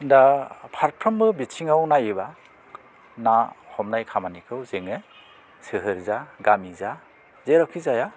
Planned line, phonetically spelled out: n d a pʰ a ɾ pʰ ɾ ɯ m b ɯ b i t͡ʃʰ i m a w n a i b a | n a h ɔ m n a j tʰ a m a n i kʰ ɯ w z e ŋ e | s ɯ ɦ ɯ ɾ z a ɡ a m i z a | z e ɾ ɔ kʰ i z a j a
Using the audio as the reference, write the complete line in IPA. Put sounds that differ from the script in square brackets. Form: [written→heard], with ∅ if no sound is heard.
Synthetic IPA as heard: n d a pʰ a ɾ pʰ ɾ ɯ m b ɯ b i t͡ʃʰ i [m→ŋ] a w n a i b a | n a h ɔ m n a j [tʰ→kʰ] a m a n i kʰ ɯ w z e ŋ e | s ɯ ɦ ɯ ɾ z a ɡ a m i z a | z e ɾ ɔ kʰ i z a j a